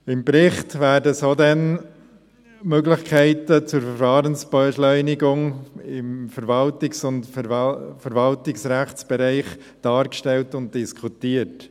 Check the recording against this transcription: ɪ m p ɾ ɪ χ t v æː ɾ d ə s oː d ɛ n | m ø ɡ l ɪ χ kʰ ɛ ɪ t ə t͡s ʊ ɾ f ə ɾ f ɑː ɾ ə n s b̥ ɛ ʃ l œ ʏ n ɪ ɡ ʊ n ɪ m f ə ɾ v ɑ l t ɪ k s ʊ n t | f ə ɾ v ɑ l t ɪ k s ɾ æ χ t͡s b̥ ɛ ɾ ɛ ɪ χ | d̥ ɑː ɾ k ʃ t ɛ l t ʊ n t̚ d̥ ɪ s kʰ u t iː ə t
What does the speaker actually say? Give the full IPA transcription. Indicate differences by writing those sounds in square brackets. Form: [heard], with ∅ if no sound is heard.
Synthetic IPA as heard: ɪ m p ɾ ɪ χ t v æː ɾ d ə s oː d ɛ n | m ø ɡ l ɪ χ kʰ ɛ ɪ t ə t͡s ʊ ɾ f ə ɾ f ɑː ɾ ə n s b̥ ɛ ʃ l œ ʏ n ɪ ɡ ʊ [ŋ] ɪ m f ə ɾ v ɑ l t ɪ k s ʊ n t | f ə ɾ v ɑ l t ɪ k s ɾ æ χ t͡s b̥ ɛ ɾ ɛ ɪ χ | d̥ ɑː ɾ k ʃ t ɛ l t ʊ n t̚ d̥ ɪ s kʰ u t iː ə t

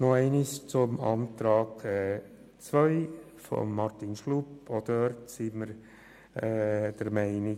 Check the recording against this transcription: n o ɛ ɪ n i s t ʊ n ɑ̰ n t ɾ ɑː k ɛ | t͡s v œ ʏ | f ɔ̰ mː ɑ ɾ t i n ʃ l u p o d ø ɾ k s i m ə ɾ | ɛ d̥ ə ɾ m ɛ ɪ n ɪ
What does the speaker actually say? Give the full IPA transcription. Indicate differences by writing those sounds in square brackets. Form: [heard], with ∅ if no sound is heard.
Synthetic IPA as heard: n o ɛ ɪ n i s [t͡s] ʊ [m] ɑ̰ n t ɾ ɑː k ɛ | t͡s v œ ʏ | f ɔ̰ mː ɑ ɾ t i n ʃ l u p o d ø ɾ [t] s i m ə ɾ | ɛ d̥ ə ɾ m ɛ ɪ n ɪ

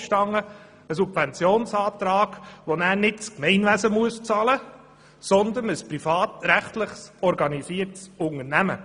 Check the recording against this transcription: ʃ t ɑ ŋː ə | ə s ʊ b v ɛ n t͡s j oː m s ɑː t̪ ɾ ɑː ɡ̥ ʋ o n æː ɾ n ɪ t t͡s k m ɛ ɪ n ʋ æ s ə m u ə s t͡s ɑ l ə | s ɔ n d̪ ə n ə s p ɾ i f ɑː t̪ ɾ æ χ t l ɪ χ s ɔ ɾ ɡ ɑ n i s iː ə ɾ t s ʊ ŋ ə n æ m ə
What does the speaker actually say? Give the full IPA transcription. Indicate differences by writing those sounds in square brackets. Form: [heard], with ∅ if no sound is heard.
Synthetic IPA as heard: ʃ t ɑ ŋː ə | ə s [u] b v ɛ n t͡s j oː [n] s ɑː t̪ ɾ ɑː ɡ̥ ʋ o n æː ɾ n ɪ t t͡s k m ɛ ɪ n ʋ æ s ə m u ə s t͡s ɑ l ə | s ɔ n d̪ ə n ə s p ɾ i f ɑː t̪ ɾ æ χ t l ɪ χ s ɔ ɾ ɡ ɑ n i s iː ə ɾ t s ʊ ŋ ə n æ m ə

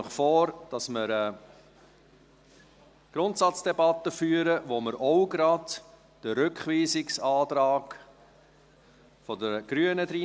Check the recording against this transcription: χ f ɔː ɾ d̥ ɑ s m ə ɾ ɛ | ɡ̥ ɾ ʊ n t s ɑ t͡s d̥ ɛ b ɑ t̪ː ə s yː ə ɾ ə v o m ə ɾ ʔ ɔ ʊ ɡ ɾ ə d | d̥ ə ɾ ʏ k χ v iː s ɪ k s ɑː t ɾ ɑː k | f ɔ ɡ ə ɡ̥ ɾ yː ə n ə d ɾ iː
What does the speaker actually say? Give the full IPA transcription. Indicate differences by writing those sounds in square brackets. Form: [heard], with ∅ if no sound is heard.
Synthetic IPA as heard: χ f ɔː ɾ d̥ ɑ s m ə ɾ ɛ | ɡ̥ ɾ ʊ n t s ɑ t͡s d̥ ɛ b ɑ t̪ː ə [f] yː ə ɾ ə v o m ə ɾ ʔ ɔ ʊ ɡ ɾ [ɑ] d | d̥ ə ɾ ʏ k χ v iː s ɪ k s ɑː t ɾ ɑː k | f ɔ [d] ə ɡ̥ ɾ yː ə n ə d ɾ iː

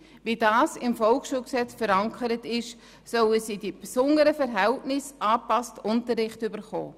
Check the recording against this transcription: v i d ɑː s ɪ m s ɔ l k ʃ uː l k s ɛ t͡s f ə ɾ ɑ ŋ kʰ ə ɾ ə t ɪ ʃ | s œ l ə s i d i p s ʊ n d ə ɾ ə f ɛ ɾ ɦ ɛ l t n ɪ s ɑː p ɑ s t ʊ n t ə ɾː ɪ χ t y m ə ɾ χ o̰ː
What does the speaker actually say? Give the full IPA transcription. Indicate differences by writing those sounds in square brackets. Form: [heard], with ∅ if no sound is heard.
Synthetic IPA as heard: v i d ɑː s ɪ m [f] ɔ l k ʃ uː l k s ɛ t͡s f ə ɾ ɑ ŋ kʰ ə ɾ ə t ɪ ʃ | s œ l ə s i d i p s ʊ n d ə ɾ ə f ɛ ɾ ɦ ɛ l t n ɪ s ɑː p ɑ s t ʊ n t ə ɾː ɪ χ t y [b] ə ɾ χ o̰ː

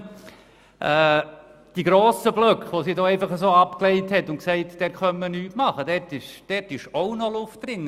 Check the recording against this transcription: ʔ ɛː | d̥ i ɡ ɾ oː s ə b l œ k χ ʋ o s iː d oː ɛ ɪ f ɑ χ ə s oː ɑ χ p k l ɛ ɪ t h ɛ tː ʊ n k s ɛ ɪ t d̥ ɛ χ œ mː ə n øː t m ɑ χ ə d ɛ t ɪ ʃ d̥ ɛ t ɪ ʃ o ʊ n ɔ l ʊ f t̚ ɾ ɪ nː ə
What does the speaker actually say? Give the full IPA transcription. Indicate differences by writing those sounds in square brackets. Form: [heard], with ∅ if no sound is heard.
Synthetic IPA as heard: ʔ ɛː | d̥ i ɡ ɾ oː s ə b l œ k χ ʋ o s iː d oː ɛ ɪ f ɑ χ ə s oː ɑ [∅] p k l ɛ ɪ t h ɛ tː ʊ n k s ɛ ɪ t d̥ ɛ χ œ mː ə n [yː] t m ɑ χ ə d ɛ t ɪ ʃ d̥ ɛ t ɪ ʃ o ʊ n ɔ l ʊ f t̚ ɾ ɪ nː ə

